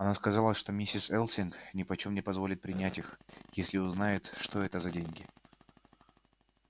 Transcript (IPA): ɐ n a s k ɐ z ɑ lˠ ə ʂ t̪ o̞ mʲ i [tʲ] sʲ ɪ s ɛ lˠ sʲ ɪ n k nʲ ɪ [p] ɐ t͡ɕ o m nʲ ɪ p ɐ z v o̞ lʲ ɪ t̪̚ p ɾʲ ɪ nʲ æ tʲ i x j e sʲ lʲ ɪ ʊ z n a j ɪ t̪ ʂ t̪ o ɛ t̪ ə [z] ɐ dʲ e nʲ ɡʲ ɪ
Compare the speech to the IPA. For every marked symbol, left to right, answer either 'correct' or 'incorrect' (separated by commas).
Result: incorrect, correct, correct